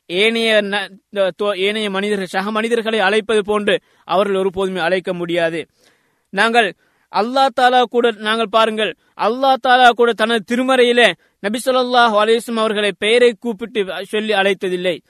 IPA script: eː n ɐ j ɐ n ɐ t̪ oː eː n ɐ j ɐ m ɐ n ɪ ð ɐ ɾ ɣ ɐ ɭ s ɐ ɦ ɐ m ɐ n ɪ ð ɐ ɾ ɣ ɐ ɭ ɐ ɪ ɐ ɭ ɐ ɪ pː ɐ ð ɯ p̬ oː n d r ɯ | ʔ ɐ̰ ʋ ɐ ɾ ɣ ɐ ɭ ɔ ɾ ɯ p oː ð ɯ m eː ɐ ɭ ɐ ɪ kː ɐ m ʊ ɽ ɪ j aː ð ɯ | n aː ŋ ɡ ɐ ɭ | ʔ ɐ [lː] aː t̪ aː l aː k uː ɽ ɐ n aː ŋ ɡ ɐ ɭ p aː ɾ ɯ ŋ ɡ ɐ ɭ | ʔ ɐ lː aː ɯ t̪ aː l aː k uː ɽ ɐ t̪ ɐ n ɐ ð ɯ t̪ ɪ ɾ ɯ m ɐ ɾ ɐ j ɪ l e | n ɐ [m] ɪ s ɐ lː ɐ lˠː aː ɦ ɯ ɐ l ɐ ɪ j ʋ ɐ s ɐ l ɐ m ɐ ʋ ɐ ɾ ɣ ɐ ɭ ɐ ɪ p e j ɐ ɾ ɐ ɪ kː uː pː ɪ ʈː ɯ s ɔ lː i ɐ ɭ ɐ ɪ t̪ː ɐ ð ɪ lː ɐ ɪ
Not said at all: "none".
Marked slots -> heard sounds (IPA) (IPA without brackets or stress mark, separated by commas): lː, b